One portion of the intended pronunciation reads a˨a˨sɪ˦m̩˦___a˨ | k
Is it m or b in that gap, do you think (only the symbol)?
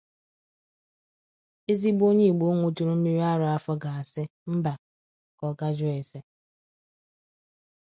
b